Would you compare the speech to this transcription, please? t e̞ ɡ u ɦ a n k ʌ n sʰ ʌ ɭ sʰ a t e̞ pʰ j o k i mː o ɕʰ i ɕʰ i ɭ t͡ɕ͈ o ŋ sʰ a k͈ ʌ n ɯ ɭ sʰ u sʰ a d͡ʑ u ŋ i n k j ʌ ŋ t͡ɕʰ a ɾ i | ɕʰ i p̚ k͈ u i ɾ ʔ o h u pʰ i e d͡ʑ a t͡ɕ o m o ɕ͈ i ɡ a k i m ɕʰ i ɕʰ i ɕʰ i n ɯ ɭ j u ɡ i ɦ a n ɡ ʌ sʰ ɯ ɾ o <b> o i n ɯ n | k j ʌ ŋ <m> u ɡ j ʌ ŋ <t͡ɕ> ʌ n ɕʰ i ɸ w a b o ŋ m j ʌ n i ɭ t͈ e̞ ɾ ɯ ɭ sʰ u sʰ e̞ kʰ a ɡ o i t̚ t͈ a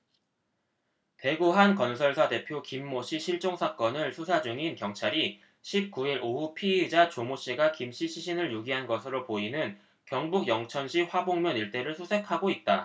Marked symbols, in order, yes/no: no, no, no

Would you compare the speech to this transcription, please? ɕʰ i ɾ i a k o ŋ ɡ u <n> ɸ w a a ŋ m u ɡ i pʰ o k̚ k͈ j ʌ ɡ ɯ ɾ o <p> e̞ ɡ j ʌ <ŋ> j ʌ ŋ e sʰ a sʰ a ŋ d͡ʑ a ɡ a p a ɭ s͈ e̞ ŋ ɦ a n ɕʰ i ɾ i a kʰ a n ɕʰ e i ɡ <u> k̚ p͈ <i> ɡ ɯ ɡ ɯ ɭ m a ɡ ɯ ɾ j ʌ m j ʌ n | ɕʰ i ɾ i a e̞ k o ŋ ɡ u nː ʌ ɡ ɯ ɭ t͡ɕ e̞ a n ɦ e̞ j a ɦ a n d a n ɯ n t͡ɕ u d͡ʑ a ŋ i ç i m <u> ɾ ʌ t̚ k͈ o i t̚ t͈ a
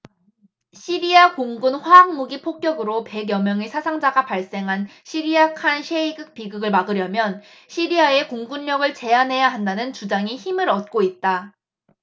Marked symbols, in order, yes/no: yes, yes, no, no, yes, no

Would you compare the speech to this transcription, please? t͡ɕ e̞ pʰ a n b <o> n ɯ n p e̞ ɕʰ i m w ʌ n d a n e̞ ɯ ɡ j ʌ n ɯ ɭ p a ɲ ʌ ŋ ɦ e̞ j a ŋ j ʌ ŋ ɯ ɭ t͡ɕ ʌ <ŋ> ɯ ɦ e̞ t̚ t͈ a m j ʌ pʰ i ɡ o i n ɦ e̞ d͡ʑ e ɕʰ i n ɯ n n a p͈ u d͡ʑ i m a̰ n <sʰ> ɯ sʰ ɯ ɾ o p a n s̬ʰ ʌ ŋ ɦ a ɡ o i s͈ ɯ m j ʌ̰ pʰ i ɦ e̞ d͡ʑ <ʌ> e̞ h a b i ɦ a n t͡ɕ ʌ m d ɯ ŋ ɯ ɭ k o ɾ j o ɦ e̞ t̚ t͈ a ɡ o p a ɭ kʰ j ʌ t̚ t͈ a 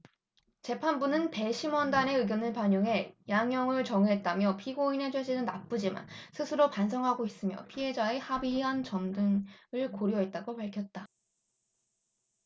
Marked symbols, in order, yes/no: no, yes, yes, no

